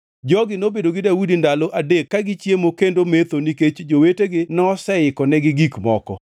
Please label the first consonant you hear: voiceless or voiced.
voiced